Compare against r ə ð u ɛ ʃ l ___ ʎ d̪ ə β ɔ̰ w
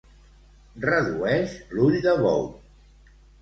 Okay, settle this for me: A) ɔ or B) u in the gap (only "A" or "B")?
B